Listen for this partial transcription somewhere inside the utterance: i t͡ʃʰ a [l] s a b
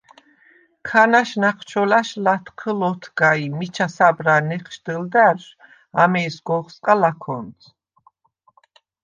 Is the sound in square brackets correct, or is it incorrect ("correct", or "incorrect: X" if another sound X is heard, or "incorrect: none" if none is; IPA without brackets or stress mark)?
incorrect: none